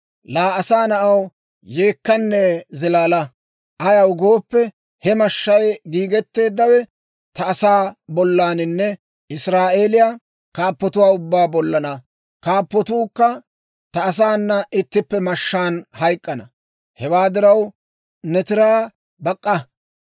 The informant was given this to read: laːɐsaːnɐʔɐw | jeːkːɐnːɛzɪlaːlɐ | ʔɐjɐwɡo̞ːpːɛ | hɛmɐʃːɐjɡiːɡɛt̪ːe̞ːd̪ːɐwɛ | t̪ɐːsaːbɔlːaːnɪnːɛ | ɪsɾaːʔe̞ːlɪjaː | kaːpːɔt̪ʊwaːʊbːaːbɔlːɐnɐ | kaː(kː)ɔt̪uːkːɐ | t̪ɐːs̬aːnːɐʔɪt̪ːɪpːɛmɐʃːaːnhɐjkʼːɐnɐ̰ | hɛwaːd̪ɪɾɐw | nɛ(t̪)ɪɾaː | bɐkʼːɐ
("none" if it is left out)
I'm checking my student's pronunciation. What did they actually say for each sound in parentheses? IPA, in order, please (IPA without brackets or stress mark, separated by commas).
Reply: pː, t̪